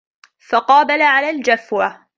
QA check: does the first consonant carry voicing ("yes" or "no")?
no